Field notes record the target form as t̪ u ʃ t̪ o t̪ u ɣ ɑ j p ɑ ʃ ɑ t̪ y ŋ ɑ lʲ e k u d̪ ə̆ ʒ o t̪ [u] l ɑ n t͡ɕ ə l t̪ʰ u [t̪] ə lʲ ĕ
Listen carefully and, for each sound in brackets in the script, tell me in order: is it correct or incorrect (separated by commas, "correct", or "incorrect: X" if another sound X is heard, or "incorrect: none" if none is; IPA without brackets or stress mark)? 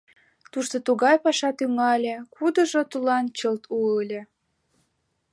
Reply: correct, incorrect: none